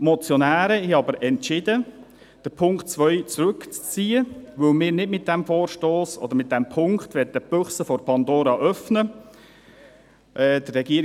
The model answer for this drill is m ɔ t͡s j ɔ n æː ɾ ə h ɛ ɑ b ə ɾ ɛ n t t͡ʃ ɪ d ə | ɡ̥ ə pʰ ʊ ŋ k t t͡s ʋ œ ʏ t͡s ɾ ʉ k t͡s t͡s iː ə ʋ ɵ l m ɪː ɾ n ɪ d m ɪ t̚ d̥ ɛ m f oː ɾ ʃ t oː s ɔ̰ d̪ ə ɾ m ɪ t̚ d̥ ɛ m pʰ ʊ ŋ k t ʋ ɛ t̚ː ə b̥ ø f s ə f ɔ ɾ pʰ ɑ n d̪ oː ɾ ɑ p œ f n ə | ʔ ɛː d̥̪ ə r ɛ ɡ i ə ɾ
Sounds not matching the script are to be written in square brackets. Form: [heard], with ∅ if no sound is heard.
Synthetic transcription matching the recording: m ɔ t͡s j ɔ n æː ɾ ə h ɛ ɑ b ə ɾ ɛ n t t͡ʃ ɪ d ə | [d̥] ə pʰ ʊ ŋ k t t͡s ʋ œ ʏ t͡s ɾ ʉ k t͡s t͡s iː ə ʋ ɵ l m ɪː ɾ n ɪ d m ɪ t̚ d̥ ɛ m f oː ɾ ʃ t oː s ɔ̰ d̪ ə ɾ m ɪ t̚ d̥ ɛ m pʰ ʊ ŋ k t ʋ ɛ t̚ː ə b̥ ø [χ] s ə f ɔ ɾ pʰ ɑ n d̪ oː ɾ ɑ [ʔ] œ f n ə | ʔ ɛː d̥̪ ə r ɛ ɡ i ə ɾ